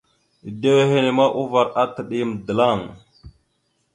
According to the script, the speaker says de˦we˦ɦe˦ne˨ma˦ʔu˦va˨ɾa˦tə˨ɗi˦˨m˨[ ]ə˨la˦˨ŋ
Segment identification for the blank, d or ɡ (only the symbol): d